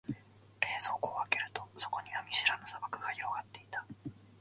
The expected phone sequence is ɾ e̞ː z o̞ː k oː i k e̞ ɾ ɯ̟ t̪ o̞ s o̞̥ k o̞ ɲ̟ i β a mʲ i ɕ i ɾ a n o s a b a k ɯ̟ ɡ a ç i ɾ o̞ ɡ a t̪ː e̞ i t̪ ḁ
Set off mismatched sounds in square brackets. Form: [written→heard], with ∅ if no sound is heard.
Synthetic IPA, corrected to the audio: ɾ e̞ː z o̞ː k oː [i→a] k e̞ ɾ ɯ̟ t̪ o̞ s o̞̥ k o̞ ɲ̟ i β a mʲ i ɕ i ɾ a n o s a b a k ɯ̟ ɡ a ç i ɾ o̞ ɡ a t̪ː e̞ i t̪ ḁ